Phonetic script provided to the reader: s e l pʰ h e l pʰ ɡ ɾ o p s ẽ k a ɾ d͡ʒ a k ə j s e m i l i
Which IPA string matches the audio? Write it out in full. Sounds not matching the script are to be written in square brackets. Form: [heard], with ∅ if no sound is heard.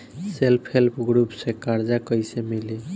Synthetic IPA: s e l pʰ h e l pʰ ɡ ɾ [u] p s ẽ k a ɾ d͡ʒ a k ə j s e m i l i